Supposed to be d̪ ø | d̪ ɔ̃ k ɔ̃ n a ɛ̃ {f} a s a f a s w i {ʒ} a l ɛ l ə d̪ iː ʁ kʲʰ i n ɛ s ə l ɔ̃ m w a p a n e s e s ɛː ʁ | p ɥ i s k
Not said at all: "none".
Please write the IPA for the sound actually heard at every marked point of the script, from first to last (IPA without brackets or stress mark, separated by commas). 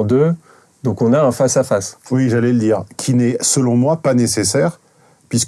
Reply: f, ʒ